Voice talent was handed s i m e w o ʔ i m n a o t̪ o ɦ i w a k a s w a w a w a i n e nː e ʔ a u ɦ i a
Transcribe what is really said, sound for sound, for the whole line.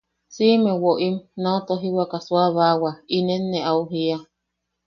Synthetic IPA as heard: s i m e w o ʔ i m n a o t̪ o ɦ i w a k a s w a β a w a i n e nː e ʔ a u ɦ i a